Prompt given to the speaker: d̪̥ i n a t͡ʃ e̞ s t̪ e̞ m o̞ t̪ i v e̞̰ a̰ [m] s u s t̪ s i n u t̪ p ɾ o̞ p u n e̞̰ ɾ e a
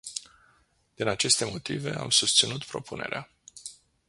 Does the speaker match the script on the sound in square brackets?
yes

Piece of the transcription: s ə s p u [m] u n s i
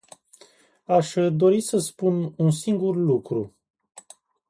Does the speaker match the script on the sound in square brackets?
no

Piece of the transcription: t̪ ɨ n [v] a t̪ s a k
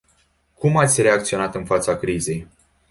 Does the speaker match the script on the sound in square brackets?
no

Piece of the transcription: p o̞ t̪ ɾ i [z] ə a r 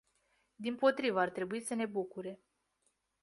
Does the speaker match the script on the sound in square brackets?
no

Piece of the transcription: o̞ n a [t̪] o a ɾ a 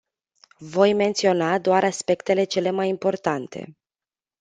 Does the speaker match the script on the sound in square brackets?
no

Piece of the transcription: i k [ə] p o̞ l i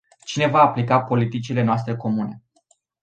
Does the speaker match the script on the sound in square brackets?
no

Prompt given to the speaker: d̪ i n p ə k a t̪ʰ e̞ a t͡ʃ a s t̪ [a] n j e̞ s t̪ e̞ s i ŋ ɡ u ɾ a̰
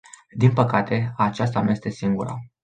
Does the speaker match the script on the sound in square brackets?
yes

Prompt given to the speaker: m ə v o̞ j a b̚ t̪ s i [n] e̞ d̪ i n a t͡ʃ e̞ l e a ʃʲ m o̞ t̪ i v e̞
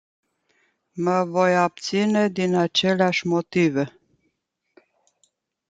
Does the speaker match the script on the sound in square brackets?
yes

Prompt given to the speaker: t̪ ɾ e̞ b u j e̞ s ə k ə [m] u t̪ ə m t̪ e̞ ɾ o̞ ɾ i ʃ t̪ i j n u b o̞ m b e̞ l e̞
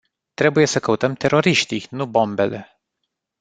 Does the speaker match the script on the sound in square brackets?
no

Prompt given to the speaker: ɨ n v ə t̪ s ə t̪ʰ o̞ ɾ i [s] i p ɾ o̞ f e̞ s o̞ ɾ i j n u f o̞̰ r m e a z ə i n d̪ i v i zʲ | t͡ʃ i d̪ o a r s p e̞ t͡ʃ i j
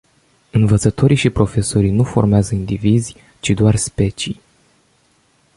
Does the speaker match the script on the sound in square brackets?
no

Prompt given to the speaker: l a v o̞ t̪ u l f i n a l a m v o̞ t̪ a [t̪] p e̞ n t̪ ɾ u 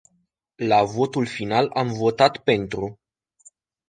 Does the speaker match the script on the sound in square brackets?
yes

